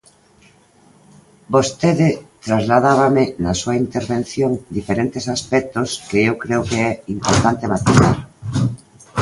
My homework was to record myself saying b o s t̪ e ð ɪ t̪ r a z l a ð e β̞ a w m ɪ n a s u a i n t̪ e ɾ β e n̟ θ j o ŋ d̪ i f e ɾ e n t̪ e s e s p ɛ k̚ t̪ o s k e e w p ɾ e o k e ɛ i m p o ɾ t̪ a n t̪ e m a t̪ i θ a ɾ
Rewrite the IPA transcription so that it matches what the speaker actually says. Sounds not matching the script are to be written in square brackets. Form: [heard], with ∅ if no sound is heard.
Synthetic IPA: b o s t̪ e ð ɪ t̪ [ɾ] a z l a ð [a] β̞ a [∅] m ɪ n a s u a i n t̪ e ɾ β e n̟ θ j o ŋ d̪ i f e ɾ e n t̪ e s [a] s p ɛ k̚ t̪ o s k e e w [k] ɾ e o k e ɛ i m p o ɾ t̪ a n t̪ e m a t̪ i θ a ɾ